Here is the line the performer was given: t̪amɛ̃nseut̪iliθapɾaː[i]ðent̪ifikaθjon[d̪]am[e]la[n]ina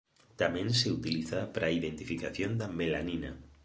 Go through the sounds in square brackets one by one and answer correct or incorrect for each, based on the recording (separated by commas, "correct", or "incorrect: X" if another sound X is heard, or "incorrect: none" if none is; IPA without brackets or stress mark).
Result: correct, correct, correct, correct